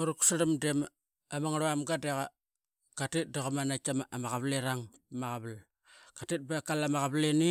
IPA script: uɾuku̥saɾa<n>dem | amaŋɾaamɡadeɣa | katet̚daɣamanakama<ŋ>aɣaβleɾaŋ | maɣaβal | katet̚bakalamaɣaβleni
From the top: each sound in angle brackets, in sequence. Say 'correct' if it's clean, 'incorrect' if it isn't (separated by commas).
incorrect, incorrect